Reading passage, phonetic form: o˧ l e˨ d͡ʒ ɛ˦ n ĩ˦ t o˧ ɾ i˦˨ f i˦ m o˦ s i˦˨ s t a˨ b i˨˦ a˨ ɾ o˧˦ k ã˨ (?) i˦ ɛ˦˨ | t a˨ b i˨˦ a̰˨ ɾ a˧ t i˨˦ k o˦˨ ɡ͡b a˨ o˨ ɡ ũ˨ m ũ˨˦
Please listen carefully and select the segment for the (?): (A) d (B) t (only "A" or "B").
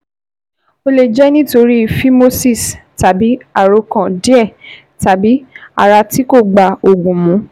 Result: A